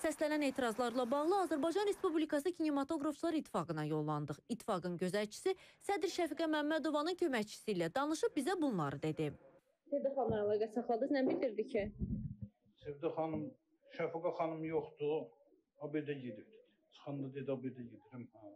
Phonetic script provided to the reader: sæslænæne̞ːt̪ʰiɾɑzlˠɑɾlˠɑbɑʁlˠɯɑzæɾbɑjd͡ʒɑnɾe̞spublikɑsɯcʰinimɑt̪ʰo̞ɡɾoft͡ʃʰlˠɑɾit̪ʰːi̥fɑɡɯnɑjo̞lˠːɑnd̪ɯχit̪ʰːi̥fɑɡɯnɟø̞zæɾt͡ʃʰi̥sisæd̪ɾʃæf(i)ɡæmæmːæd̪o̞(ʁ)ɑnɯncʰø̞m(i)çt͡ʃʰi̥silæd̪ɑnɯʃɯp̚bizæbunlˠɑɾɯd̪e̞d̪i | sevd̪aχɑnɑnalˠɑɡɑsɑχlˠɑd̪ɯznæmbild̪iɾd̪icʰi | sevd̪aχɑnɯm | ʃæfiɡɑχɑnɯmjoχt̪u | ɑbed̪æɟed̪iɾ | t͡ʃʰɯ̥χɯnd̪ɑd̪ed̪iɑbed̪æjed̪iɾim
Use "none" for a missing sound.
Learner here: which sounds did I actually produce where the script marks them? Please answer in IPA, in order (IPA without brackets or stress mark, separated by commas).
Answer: i, v, æ